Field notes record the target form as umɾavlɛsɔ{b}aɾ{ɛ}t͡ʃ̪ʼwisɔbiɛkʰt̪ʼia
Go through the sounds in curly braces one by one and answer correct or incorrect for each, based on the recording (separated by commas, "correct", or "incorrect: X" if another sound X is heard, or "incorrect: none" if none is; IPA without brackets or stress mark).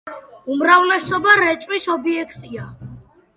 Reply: correct, correct